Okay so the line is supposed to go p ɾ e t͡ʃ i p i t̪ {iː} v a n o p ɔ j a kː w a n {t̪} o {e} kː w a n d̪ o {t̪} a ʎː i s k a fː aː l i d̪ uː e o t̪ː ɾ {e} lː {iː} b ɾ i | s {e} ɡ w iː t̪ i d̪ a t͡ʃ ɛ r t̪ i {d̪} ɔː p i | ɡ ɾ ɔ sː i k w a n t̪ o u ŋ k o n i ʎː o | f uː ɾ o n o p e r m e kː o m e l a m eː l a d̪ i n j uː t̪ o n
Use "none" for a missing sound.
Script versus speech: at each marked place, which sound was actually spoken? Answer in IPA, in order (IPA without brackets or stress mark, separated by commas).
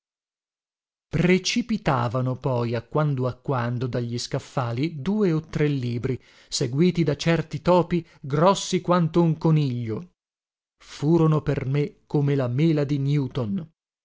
aː, d̪, a, d̪, e, iː, e, t̪